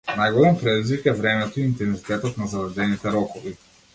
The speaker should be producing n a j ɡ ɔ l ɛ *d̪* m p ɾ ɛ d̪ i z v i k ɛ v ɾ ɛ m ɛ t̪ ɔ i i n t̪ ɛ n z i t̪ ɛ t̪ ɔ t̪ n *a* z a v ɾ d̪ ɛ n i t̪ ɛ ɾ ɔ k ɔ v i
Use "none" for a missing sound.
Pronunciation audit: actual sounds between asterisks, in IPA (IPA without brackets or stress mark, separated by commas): none, a